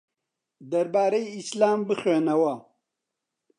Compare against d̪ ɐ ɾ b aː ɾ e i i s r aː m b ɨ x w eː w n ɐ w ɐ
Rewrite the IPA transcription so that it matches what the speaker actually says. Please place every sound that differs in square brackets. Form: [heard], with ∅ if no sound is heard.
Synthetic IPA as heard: d̪ ɐ ɾ b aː ɾ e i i s [l] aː m b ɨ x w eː [∅] n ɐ w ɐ